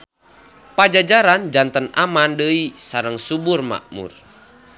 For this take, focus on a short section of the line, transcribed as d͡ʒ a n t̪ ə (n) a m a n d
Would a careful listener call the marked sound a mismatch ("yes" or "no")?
no